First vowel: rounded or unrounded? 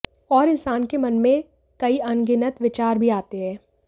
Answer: rounded